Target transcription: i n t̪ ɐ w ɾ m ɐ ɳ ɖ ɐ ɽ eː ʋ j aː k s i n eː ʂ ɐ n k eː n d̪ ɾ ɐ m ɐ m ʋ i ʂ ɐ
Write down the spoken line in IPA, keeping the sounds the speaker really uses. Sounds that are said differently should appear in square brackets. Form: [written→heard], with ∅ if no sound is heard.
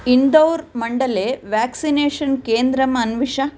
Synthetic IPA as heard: i n [t̪→d̪] ɐ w ɾ m ɐ ɳ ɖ ɐ [ɽ→l] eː ʋ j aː k s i n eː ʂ ɐ n k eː n d̪ ɾ ɐ m ɐ [m→n] ʋ i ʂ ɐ